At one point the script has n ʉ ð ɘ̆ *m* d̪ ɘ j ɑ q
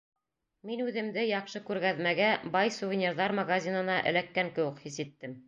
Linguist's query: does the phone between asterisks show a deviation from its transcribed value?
no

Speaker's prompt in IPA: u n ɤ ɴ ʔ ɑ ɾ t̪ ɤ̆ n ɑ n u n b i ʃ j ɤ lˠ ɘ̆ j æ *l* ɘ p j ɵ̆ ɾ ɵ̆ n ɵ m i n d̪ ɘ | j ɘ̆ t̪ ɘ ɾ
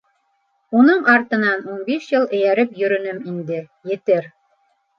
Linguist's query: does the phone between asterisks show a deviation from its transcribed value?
yes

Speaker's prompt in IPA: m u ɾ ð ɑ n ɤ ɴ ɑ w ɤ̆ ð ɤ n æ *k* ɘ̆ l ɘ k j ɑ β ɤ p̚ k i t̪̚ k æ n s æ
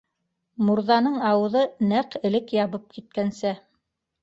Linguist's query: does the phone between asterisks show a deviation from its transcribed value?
yes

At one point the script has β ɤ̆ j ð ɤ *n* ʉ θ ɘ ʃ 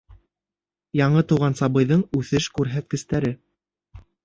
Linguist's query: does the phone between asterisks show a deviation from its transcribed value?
yes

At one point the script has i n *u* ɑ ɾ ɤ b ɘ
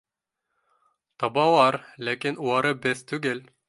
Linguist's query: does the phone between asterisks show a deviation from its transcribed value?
no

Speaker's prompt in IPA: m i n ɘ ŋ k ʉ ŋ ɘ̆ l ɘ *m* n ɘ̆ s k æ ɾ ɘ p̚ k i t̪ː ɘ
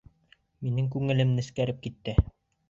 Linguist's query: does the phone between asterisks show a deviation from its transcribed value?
no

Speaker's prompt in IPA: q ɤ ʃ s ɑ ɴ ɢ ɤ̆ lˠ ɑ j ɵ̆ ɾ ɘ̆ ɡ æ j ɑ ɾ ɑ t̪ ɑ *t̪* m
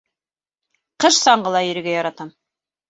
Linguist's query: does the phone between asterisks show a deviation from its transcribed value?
yes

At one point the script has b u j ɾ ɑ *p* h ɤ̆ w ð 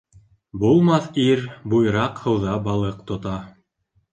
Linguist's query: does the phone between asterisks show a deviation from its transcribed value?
yes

